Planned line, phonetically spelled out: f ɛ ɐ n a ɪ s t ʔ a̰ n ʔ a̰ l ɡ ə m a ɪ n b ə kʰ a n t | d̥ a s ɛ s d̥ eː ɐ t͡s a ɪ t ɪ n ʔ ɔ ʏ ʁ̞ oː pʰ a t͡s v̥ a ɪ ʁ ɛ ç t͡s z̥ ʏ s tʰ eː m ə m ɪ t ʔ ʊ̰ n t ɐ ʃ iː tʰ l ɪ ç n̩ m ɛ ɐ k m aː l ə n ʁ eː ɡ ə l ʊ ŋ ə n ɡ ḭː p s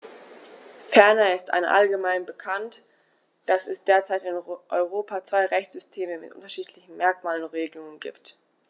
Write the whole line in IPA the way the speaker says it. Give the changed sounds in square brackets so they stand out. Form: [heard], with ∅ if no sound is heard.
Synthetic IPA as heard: f ɛ ɐ n a ɪ s t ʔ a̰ n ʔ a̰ l ɡ ə m a ɪ n b ə kʰ a n t | d̥ a s ɛ s d̥ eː ɐ t͡s a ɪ t ɪ n ʔ ɔ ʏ ʁ̞ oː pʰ a t͡s v̥ a ɪ ʁ ɛ ç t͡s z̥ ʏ s tʰ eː m ə m ɪ t ʔ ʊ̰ n t ɐ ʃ iː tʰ l ɪ ç n̩ m ɛ ɐ k m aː l ə n ʁ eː ɡ ə l ʊ ŋ ə n ɡ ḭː p [t]